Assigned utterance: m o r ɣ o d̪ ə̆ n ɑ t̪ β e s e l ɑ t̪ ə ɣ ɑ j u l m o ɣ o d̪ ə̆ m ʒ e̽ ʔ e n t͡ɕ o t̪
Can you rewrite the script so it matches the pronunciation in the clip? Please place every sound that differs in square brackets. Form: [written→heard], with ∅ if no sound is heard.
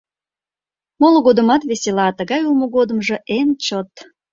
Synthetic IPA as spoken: m o [r→l] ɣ o d̪ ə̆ [n→m] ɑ t̪ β e s e l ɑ t̪ ə ɣ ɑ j u l m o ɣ o d̪ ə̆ m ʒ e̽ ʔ e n t͡ɕ o t̪